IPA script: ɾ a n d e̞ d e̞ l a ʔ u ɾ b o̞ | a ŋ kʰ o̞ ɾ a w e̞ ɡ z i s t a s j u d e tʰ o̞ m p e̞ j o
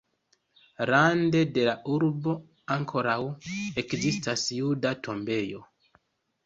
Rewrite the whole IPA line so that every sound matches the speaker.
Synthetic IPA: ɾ a n d e̞ d e̞ l a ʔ u ɾ b o̞ | a ŋ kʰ o̞ ɾ a w e̞ k z i s t a s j u d a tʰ o̞ m b e̞ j o